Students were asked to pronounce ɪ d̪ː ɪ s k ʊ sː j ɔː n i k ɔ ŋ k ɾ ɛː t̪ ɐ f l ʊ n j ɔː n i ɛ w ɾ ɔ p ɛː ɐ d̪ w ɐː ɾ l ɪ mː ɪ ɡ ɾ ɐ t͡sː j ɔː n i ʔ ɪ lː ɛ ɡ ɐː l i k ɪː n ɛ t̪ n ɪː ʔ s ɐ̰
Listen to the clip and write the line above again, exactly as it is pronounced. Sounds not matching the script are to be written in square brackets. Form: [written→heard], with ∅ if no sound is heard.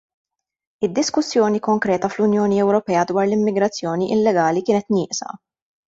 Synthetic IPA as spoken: ɪ d̪ː ɪ s k ʊ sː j ɔː n i k ɔ ŋ k ɾ ɛː t̪ ɐ f l ʊ n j ɔː n i ɛ w ɾ ɔ p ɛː ɐ d̪ w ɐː ɾ l ɪ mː ɪ ɡ ɾ ɐ t͡sː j ɔː n i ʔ ɪ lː ɛ ɡ ɐː l i k ɪː n ɛ t̪ n ɪː ʔ s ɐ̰